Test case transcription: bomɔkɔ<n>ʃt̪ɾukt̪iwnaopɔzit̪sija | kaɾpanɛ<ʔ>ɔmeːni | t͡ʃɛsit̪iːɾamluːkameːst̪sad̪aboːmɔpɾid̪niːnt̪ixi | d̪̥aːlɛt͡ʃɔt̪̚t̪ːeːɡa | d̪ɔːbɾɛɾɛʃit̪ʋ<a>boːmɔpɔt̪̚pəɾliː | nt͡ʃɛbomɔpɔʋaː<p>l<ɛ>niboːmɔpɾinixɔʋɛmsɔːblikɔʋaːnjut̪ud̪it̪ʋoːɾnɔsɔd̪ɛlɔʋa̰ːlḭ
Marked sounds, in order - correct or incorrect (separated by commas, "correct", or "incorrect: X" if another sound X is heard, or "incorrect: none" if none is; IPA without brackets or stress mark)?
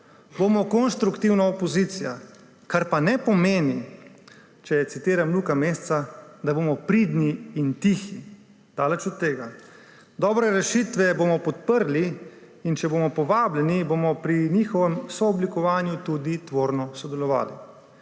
correct, incorrect: p, incorrect: ɛ, incorrect: b, correct